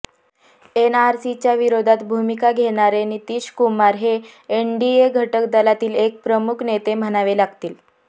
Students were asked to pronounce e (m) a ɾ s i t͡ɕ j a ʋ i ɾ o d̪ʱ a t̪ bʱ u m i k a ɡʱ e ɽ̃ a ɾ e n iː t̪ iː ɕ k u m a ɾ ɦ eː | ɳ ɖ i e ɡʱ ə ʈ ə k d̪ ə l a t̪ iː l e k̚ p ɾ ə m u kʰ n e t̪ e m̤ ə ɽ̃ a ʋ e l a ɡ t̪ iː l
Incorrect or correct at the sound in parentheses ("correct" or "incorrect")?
incorrect